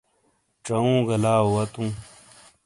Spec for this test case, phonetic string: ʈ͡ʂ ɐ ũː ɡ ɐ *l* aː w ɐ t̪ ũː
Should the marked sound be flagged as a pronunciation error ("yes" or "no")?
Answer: no